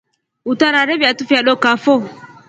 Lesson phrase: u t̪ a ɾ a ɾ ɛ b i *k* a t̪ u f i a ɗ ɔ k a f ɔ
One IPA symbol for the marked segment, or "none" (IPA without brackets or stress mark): none